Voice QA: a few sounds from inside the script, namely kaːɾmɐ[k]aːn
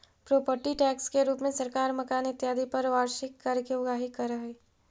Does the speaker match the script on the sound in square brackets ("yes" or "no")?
yes